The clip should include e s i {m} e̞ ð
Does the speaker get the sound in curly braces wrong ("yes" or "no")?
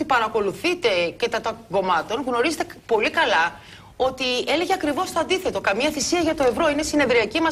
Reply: yes